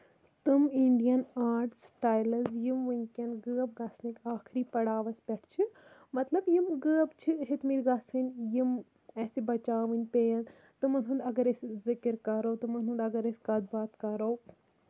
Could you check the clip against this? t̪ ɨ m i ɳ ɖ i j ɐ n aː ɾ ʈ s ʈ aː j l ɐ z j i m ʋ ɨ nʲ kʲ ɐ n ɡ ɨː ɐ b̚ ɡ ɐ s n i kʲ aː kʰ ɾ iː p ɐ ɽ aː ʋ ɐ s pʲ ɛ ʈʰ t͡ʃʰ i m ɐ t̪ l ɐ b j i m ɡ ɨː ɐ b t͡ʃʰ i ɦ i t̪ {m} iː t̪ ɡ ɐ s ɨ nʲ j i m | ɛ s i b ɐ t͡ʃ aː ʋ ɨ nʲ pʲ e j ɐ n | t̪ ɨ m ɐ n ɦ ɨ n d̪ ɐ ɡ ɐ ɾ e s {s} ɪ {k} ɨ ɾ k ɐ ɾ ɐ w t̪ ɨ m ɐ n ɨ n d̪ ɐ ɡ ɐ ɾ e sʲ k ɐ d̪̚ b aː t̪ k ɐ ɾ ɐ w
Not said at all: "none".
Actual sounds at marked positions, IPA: m, z, k

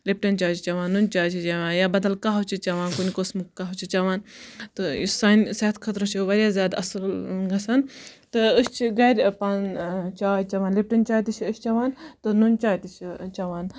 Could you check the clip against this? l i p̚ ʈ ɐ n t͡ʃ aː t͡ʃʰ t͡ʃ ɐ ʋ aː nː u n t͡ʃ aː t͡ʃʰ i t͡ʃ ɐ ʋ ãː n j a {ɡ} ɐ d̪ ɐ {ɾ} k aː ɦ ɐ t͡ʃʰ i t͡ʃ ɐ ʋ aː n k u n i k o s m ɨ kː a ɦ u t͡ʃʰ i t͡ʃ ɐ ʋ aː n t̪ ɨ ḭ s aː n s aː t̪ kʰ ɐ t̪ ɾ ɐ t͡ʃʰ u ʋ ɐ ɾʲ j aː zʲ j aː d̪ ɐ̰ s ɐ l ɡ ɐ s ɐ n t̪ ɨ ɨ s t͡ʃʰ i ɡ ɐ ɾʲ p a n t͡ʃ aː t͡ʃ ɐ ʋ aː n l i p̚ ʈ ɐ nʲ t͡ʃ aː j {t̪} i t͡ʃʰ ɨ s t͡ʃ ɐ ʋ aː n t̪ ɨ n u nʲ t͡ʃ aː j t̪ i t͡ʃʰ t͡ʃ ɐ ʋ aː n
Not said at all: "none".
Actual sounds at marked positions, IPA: b, l, t̪

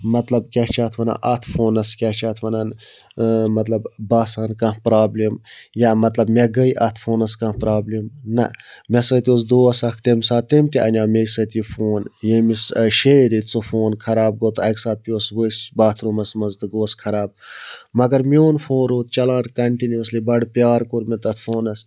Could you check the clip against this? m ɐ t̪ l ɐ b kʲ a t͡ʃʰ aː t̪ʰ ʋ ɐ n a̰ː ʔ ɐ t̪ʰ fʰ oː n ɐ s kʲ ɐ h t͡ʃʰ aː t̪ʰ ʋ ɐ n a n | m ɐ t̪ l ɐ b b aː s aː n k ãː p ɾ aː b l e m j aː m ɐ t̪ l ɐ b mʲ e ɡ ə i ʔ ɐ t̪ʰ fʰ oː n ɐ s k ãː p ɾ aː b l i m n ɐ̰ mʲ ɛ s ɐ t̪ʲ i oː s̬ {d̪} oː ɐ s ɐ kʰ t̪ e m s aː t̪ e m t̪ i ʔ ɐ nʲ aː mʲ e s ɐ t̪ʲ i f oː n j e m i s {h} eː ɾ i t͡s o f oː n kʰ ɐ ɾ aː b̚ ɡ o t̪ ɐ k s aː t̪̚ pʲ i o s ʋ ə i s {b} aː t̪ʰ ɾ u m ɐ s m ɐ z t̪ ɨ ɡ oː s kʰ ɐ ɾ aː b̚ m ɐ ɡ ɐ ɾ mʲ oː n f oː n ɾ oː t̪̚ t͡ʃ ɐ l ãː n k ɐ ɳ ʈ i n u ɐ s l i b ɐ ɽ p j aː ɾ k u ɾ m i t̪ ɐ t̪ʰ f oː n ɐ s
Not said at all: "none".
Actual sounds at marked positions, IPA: d̪, ʃ, b

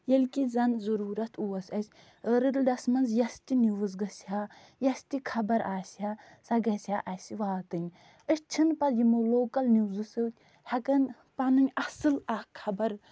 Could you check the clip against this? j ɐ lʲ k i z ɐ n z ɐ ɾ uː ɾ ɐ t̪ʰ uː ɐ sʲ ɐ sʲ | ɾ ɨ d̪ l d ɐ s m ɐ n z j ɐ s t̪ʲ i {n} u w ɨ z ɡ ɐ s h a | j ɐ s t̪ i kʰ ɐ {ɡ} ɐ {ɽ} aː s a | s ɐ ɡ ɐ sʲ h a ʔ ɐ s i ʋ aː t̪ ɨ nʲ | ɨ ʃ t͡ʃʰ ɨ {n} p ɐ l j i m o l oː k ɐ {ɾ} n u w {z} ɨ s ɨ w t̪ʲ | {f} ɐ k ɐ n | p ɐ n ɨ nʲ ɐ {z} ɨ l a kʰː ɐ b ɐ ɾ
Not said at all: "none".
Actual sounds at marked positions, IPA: n, b, ɾ, n, l, z, h, s

